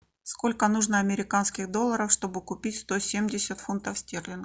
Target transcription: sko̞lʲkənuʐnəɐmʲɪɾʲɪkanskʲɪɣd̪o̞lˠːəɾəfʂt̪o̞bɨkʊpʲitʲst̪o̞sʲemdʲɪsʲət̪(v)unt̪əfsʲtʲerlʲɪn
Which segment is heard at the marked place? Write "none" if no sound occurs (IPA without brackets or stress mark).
f